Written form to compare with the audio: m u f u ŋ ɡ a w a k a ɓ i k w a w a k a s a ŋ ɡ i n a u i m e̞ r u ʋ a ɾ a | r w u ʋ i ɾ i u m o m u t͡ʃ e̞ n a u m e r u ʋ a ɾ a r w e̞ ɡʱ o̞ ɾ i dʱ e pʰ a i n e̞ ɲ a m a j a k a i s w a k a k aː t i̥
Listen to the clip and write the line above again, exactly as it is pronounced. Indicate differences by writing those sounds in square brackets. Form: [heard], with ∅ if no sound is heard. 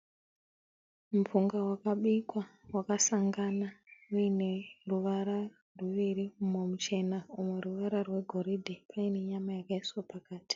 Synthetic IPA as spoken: m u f u ŋ ɡ a w a k a ɓ i k w a w a k a s a ŋ ɡ [a] n a u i [n] e̞ r u ʋ a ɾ a | r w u ʋ i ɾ i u m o m u t͡ʃ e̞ n a u m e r u ʋ a ɾ a r w e̞ ɡʱ o̞ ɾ i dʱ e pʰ a i n e̞ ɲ a m a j a k a i s w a [p] a k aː t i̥